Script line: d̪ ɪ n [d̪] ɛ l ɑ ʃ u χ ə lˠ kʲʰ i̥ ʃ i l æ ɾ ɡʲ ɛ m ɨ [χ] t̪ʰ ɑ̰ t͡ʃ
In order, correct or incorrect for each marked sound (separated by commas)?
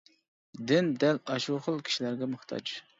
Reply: correct, correct